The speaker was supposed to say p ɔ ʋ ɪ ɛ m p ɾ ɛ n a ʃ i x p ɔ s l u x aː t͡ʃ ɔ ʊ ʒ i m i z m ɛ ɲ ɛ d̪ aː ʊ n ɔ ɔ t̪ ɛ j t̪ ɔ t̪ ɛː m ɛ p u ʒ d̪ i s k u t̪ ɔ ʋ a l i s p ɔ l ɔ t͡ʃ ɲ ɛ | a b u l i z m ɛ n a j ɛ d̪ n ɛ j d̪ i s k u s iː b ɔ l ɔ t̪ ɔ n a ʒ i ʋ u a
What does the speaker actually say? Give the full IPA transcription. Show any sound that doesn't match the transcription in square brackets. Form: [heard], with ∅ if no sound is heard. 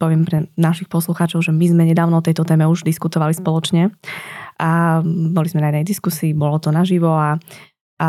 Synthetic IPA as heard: p ɔ ʋ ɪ ɛ m p ɾ ɛ n a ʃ i x p ɔ s l u x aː t͡ʃ ɔ ʊ ʒ [ɛ] m i z m ɛ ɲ ɛ d̪ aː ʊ n ɔ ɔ t̪ ɛ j t̪ ɔ t̪ ɛː m ɛ [∅] u ʒ d̪ i s k u t̪ ɔ ʋ a l i s p ɔ l ɔ t͡ʃ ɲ ɛ | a b [ɔ] l i z m ɛ n a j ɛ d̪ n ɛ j d̪ i s k u s iː b ɔ l ɔ t̪ ɔ n a ʒ i ʋ [ɔ] a